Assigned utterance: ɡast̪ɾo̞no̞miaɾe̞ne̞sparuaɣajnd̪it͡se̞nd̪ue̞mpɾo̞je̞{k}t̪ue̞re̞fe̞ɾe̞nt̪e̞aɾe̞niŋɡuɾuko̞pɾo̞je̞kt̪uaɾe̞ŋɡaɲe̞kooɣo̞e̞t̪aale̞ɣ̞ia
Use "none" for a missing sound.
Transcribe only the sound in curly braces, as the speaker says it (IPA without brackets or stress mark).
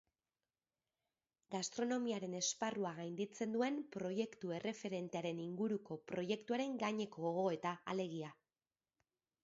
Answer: k